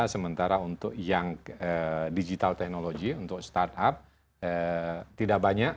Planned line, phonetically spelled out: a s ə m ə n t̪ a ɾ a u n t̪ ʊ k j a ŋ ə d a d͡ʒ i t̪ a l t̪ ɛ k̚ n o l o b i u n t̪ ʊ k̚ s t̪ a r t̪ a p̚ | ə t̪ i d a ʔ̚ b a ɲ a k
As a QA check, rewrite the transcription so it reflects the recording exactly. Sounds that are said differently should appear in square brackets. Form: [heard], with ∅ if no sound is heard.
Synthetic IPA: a s ə m ə n t̪ a ɾ a u n t̪ ʊ k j a ŋ ə d [i] d͡ʒ i t̪ a l t̪ ɛ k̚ n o l o [ɡ] i u n t̪ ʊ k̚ s t̪ a r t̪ a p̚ | ə t̪ i d a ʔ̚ b a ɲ a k